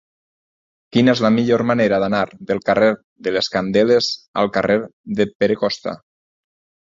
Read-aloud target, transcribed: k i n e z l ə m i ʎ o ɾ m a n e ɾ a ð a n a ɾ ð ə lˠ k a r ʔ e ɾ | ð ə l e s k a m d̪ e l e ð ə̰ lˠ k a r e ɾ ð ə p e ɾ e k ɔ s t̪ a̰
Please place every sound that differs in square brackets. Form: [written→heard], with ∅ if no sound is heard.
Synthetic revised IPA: k i n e z l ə m i ʎ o ɾ m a n e ɾ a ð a n a ɾ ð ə lˠ k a r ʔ e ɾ | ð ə l e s k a [m→n] d̪ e l e [ð→z] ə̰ lˠ k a r e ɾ ð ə p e ɾ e k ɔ s t̪ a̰